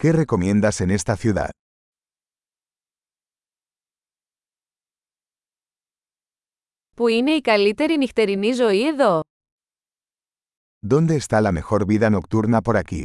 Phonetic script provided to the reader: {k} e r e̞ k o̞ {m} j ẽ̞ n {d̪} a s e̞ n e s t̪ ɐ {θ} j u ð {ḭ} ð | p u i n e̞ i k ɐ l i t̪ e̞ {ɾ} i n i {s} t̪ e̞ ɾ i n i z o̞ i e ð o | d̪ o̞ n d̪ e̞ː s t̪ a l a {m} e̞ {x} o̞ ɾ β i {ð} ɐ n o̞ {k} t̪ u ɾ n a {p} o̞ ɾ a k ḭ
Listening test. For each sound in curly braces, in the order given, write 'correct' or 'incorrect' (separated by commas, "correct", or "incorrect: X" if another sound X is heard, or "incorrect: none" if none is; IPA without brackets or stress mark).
correct, correct, correct, correct, incorrect: a̰, correct, incorrect: x, correct, correct, correct, correct, correct